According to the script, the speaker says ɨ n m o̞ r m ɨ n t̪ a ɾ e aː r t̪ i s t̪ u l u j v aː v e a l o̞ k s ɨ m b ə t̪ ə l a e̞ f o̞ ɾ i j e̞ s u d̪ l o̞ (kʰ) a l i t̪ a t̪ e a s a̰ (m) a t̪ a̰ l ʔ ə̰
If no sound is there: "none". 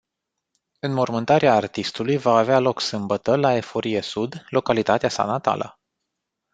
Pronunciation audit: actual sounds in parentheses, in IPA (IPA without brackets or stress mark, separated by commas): k, n